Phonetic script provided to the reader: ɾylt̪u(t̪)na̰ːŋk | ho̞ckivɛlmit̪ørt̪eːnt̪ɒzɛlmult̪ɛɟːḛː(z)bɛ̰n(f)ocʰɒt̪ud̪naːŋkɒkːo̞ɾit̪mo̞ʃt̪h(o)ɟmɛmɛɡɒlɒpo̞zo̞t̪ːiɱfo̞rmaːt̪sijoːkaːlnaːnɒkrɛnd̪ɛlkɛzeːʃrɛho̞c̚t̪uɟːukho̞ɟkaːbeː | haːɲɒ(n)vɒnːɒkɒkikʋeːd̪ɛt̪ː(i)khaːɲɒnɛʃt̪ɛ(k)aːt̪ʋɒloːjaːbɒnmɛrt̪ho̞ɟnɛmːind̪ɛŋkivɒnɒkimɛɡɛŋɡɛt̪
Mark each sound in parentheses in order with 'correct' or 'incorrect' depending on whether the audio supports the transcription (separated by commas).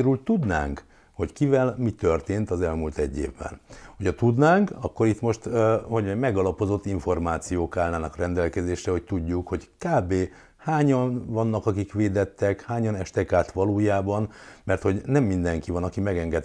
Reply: incorrect, incorrect, incorrect, correct, correct, incorrect, correct